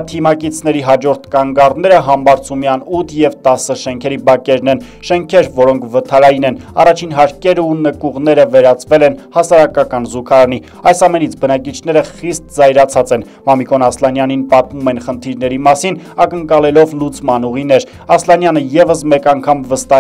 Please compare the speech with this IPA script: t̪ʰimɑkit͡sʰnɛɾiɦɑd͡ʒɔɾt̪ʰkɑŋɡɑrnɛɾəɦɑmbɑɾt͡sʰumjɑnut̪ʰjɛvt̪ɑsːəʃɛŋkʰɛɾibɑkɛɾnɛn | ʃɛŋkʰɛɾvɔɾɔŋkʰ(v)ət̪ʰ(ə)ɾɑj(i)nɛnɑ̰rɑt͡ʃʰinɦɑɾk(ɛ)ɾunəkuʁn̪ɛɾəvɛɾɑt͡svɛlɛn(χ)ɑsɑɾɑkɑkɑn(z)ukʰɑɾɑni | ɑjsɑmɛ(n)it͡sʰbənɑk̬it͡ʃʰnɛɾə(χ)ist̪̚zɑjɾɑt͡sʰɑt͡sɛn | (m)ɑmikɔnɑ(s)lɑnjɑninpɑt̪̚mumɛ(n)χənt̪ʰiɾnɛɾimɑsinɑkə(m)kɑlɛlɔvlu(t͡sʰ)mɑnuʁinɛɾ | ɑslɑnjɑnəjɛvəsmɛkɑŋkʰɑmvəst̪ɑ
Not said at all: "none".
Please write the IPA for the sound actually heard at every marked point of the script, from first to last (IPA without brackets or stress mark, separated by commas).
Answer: v, ɑ, i, ɛ, h, z, n, χ, m, s, n, ŋ, t͡s